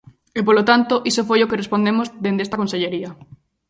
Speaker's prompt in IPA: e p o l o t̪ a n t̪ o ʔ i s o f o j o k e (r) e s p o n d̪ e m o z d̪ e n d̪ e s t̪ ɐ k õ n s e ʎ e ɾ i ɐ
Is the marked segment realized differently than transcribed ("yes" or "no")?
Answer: no